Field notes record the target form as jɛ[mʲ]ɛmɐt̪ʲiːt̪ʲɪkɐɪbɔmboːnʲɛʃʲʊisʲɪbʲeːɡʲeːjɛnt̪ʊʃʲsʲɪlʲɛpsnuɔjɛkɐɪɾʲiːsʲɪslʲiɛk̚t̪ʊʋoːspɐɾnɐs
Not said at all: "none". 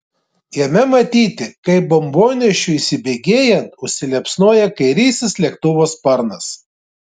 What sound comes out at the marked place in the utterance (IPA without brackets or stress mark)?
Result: mʲ